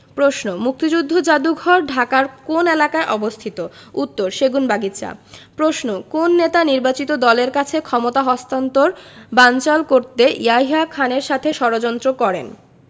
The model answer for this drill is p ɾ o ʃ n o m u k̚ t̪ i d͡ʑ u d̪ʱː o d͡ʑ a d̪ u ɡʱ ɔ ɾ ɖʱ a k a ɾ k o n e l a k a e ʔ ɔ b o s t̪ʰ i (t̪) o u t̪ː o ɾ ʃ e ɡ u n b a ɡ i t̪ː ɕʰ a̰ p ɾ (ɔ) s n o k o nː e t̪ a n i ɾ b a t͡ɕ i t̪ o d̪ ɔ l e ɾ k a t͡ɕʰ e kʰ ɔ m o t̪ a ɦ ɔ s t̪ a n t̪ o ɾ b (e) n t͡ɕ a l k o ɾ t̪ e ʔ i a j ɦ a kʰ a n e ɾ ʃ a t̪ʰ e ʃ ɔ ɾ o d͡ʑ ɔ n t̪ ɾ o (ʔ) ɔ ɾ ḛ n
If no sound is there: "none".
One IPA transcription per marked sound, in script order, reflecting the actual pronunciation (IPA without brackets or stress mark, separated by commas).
t̪, o, a, k